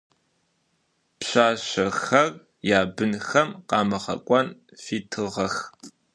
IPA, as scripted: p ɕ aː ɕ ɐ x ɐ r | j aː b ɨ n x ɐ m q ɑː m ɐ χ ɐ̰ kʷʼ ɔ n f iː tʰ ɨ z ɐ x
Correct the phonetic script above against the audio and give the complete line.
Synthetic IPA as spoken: p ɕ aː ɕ ɐ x ɐ r | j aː b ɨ n x ɐ m q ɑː m ɐ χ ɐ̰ kʷʼ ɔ n f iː tʰ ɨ ʁ ɐ x